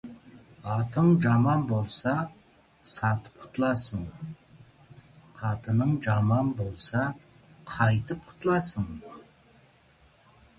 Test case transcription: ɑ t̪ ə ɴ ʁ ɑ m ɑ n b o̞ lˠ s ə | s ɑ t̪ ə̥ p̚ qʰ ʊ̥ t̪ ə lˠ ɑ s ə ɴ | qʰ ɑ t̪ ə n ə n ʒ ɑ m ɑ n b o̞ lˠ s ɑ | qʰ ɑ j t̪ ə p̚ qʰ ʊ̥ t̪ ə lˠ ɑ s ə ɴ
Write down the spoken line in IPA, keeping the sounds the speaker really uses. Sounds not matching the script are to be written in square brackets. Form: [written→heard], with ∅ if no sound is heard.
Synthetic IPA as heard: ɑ t̪ ə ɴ [ʁ→ʒ] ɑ m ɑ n b o̞ lˠ s [ə→ɑ] | s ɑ t̪ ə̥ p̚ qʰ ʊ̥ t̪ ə lˠ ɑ s ə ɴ | qʰ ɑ t̪ ə n ə [n→ɴ] ʒ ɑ m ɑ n b o̞ lˠ s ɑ | qʰ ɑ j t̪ ə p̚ qʰ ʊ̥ t̪ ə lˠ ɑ s ə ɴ